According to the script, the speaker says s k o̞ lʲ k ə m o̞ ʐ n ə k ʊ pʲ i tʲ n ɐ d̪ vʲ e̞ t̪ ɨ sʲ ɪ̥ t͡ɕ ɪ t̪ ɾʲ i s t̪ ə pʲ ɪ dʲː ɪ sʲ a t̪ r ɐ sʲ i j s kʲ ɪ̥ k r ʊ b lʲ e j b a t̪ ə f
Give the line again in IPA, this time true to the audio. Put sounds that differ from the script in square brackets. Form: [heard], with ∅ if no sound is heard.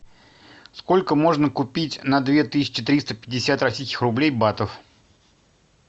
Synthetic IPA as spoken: s k o̞ lʲ k ə m o̞ ʐ n ə k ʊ pʲ i tʲ n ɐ d̪ vʲ e̞ t̪ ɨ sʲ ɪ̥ t͡ɕ ɪ t̪ ɾʲ i s t̪ ə pʲ ɪ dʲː ɪ sʲ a t̪ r ɐ sʲ i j s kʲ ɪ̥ [x] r ʊ b lʲ e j b a t̪ ə f